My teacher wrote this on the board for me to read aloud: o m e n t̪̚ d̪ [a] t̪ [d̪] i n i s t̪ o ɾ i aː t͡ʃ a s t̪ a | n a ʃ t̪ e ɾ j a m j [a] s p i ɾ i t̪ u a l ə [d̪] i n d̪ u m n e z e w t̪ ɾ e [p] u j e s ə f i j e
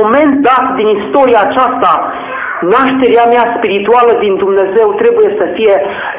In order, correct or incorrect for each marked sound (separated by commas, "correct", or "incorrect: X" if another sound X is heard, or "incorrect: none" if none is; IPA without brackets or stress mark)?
correct, correct, correct, correct, incorrect: b